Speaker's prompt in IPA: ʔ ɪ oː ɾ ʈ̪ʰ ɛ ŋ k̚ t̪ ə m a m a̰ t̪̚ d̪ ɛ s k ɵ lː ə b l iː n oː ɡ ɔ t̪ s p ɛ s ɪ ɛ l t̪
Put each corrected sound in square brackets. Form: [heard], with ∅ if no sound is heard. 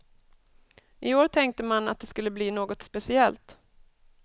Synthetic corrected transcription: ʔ ɪ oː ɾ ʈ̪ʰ ɛ ŋ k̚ t̪ ə m a [n] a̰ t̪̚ d̪ ɛ s k ɵ lː ə b l iː n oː ɡ ɔ t̪ s p ɛ s ɪ ɛ l t̪